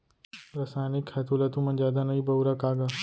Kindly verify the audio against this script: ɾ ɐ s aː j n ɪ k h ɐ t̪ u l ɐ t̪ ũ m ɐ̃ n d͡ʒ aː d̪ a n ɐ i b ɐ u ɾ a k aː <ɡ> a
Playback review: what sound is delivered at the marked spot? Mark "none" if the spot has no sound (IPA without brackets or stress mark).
ɡ